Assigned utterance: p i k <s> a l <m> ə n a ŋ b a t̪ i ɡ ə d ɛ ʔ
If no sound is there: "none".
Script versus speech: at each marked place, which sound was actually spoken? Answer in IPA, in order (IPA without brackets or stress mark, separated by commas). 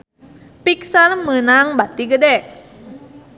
s, m